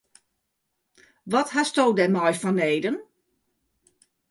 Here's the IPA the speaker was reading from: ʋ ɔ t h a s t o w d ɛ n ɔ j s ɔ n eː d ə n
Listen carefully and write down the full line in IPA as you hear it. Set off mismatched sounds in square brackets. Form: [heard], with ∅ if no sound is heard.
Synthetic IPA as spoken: ʋ ɔ t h a s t o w d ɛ [m] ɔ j [f] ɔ n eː d ə n